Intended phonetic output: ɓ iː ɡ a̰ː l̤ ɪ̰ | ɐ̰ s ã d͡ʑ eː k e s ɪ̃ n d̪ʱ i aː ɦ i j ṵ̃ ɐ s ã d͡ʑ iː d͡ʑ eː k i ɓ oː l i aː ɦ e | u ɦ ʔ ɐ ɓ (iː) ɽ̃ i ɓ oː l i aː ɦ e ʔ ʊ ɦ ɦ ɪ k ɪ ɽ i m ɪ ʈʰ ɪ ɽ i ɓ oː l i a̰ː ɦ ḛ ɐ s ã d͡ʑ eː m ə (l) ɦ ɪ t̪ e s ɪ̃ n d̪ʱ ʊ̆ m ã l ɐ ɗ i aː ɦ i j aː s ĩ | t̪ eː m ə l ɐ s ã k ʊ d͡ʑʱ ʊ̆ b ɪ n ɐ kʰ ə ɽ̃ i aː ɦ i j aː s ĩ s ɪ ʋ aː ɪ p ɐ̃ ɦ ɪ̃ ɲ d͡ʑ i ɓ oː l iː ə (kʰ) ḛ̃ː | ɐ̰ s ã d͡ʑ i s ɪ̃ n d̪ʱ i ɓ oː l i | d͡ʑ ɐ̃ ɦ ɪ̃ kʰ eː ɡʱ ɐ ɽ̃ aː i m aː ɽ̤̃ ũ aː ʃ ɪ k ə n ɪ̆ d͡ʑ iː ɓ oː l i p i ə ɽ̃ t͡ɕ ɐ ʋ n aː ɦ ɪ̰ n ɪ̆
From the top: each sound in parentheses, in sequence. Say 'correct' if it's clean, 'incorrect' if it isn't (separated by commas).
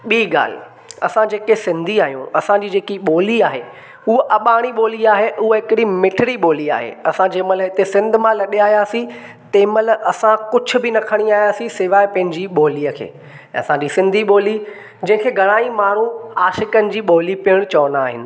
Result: incorrect, correct, correct